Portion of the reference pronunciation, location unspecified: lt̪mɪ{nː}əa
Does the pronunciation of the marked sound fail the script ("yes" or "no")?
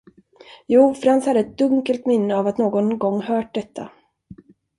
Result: no